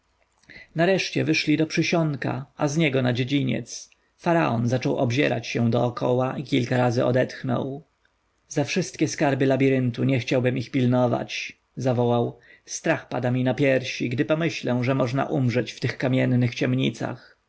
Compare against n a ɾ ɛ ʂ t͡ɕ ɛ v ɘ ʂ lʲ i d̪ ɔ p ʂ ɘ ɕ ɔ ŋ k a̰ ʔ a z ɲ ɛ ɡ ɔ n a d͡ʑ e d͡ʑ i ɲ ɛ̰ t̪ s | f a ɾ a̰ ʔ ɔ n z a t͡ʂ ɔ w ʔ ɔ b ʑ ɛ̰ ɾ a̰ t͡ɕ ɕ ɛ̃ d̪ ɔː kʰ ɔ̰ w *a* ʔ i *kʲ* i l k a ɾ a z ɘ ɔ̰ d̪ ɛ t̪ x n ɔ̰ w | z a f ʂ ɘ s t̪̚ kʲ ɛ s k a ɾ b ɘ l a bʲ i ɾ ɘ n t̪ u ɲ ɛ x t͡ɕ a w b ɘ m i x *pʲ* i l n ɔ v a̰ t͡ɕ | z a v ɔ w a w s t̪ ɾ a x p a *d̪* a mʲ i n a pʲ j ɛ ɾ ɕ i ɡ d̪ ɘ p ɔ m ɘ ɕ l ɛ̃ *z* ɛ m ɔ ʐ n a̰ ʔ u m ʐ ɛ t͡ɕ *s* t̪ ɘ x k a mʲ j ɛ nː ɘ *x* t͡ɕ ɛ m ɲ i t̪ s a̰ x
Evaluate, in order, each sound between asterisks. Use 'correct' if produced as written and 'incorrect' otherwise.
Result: correct, correct, correct, correct, incorrect, incorrect, correct

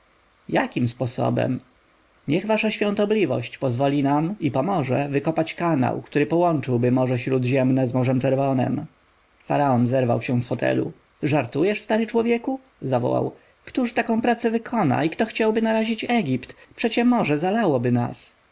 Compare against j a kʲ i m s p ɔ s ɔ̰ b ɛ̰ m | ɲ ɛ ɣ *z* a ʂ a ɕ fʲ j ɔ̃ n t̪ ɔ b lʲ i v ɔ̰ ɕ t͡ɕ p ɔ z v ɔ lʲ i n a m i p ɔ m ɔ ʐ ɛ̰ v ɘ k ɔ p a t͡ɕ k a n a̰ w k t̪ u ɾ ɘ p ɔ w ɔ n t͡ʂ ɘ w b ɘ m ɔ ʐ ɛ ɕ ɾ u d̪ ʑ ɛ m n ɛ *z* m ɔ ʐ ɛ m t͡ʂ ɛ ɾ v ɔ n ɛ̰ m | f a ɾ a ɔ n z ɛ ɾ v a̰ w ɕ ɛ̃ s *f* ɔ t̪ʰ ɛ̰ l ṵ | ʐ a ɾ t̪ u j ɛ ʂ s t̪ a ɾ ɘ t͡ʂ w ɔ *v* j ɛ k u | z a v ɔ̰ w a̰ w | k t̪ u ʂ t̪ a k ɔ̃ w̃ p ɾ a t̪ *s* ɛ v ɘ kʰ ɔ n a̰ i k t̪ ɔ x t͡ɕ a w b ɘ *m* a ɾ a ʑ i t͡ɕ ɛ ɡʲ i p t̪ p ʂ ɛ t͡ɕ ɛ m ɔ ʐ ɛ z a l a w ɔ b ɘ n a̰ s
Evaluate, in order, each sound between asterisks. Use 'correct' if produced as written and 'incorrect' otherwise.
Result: incorrect, correct, correct, correct, correct, incorrect

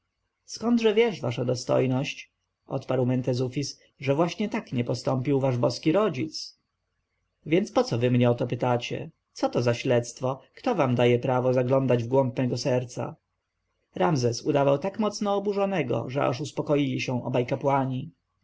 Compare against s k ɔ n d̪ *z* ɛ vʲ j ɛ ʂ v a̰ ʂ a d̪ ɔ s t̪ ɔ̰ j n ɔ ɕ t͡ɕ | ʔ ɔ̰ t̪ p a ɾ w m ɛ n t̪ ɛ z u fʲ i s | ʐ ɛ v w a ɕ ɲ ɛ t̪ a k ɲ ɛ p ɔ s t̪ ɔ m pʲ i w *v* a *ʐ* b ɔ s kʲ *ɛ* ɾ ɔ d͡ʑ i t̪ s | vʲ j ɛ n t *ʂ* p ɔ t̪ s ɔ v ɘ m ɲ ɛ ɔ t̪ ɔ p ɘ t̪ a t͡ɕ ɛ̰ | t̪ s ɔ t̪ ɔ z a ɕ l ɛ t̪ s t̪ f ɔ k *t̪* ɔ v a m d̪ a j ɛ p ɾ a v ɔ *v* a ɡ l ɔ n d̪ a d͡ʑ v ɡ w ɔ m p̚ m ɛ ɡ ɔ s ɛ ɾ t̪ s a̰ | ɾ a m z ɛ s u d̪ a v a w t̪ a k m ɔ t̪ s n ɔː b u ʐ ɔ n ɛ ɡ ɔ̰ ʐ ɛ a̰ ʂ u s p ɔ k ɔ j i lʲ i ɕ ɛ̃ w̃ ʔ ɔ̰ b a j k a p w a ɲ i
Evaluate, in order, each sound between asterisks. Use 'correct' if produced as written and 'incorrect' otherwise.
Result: incorrect, correct, correct, incorrect, incorrect, correct, incorrect

